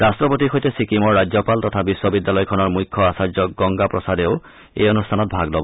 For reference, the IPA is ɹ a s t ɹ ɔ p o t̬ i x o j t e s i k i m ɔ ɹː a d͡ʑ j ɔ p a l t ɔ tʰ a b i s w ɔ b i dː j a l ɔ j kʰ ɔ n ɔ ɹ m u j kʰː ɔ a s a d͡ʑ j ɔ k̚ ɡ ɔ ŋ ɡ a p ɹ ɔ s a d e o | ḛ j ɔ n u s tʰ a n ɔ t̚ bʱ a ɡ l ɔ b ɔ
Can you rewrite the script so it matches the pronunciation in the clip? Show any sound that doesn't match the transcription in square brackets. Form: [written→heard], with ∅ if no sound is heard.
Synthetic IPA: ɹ a s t ɹ ɔ p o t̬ i x o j t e s i k i m ɔ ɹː a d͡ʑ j ɔ p a l t ɔ tʰ a b i s w ɔ b i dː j a l ɔ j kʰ ɔ n ɔ ɹ m u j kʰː ɔ a s a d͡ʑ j ɔ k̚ ɡ ɔ ŋ ɡ a p ɹ ɔ s a d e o | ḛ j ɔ n u s tʰ a n ɔ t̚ bʱ a ɡ l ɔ b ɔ